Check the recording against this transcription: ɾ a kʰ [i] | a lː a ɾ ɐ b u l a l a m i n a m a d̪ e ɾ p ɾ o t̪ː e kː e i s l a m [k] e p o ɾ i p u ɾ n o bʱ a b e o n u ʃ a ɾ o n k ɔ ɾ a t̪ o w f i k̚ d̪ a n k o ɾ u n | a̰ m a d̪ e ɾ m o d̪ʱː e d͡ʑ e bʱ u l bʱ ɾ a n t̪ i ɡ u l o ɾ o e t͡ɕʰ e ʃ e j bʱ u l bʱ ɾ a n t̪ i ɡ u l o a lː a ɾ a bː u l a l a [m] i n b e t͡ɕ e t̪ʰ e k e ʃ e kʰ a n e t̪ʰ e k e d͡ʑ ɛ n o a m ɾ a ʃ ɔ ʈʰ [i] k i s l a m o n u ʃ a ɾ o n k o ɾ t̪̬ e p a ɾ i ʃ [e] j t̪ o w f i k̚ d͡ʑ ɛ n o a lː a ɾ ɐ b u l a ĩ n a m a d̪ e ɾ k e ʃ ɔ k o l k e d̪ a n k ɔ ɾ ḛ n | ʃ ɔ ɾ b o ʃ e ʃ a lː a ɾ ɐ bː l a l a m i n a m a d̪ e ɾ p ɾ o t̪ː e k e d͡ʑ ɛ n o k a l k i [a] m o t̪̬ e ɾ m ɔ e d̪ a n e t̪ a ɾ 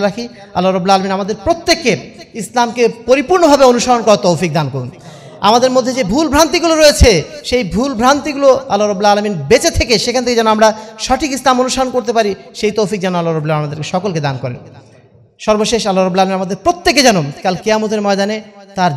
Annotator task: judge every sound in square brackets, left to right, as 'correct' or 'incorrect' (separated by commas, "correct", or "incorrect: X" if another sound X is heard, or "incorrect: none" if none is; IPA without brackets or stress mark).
correct, correct, correct, correct, correct, correct